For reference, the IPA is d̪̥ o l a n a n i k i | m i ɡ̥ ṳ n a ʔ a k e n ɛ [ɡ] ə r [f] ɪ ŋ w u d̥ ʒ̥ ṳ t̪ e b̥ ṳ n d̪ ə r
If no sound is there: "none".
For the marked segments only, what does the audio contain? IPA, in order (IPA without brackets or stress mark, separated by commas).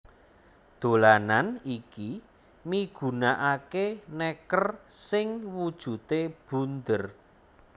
k, s